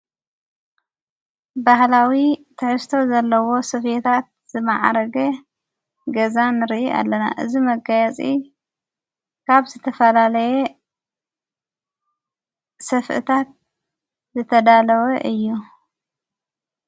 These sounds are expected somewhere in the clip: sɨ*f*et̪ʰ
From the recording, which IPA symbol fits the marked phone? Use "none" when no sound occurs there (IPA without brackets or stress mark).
f